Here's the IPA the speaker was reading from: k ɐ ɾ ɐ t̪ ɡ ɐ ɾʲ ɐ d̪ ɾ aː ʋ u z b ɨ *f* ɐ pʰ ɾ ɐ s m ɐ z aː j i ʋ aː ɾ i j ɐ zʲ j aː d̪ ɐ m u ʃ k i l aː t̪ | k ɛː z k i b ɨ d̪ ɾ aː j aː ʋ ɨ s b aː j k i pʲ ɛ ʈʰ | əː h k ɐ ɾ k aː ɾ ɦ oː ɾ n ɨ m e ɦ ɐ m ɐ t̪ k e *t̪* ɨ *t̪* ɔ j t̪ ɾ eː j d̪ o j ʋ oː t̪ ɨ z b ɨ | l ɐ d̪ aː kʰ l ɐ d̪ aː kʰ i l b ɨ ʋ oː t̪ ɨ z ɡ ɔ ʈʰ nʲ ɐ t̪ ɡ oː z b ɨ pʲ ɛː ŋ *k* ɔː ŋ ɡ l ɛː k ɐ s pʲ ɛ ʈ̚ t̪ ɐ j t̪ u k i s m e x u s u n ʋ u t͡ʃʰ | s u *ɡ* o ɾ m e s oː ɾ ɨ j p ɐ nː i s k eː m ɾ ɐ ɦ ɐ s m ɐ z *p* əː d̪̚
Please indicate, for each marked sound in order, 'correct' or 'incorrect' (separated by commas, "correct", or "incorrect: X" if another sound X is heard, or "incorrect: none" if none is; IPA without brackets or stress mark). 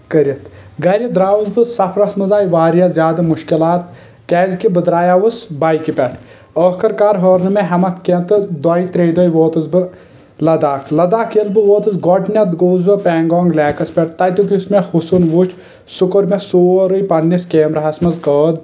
incorrect: s, correct, incorrect: d̪, incorrect: ɡ, incorrect: k, incorrect: k